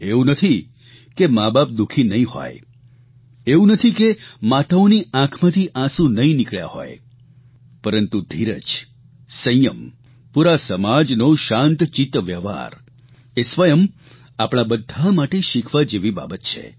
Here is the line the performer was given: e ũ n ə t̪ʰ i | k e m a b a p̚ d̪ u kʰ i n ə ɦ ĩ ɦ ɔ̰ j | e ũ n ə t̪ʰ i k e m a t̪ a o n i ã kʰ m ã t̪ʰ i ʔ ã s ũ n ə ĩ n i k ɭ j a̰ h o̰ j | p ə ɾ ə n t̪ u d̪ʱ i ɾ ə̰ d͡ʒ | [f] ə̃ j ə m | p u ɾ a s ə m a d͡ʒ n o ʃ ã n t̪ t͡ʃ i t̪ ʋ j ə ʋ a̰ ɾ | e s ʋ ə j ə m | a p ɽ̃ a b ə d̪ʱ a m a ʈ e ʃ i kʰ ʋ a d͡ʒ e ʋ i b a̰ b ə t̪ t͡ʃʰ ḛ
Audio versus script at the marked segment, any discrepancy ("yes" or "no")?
yes